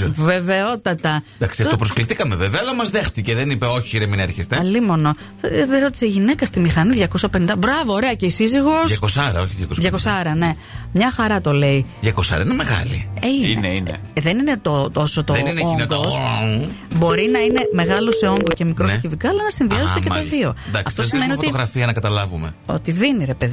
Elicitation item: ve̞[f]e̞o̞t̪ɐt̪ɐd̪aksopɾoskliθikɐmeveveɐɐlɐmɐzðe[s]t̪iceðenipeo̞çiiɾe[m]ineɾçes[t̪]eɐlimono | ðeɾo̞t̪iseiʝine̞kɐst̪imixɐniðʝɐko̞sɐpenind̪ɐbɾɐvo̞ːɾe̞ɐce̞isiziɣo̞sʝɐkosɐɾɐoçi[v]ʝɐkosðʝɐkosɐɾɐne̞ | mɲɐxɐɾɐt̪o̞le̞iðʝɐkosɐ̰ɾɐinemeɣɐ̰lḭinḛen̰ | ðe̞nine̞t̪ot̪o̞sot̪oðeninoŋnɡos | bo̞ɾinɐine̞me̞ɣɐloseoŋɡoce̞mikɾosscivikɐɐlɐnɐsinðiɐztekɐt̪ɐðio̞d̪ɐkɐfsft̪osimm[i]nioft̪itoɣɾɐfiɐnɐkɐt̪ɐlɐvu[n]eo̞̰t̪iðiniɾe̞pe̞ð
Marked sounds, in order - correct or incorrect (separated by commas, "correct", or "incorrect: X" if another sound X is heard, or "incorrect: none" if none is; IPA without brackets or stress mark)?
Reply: incorrect: v, incorrect: x, correct, correct, incorrect: ð, incorrect: e, incorrect: m